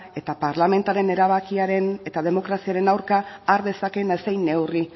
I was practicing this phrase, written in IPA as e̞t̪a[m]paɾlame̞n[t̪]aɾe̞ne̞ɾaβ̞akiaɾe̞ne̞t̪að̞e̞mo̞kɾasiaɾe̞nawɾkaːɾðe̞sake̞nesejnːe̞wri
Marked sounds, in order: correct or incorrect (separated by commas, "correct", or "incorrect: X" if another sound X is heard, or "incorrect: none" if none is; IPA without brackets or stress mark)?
incorrect: none, correct